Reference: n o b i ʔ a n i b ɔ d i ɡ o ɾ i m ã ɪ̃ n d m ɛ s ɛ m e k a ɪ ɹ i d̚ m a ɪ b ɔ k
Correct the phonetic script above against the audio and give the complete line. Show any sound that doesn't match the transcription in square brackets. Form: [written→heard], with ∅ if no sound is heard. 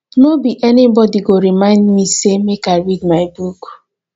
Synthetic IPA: n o b i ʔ [a→ɛ] n i b ɔ d i ɡ o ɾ i m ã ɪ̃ n d m [ɛ→i] s [ɛ→e] m e k a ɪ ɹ i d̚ m a ɪ b [ɔ→u] k